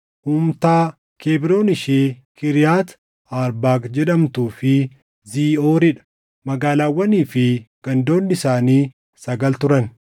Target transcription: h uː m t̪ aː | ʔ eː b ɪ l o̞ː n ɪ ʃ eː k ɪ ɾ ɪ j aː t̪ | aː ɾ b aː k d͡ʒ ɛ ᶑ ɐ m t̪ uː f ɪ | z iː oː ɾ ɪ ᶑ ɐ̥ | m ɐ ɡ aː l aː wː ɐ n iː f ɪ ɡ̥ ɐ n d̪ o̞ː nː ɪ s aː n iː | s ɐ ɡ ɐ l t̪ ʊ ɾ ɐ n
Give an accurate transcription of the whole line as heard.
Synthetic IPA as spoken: h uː m t̪ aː | k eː b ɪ ɾ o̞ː n ɪ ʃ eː k ɪ ɾ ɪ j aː t̪ | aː ɾ b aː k d͡ʒ ɛ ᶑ ɐ m t̪ uː f ɪ | z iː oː ɾ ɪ ᶑ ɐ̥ | m ɐ ɡ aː l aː wː ɐ n iː f ɪ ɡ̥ ɐ n d̪ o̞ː nː ɪ s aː n iː | s ɐ ɡ ɐ l t̪ ʊ ɾ ɐ n